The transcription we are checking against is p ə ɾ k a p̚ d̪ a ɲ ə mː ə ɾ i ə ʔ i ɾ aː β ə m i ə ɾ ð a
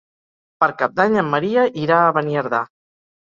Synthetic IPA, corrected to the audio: p ə ɾ k a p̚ d̪ a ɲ ə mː ə ɾ i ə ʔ i ɾ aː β ə n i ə ɾ ð a